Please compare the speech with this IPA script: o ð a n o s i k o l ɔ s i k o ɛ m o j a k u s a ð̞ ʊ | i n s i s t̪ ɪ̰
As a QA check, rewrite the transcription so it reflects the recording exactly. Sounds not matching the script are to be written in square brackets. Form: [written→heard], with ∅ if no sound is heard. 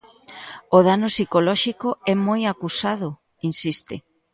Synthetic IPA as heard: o ð a n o s i k o l ɔ [s→ʃ] i k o ɛ m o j a k u s a ð̞ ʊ | i n s i s t̪ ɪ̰